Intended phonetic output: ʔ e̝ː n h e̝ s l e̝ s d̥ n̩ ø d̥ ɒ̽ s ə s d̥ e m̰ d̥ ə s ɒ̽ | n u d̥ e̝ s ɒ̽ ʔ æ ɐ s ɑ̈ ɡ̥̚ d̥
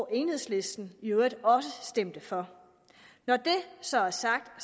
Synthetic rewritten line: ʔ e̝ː n h e̝ s l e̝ s d̥ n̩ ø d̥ ɒ̽ s ə s d̥ e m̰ d̥ ə f ɒ̽ | n ɒ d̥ e̝ s ɒ̽ æ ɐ s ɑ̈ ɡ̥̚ d̥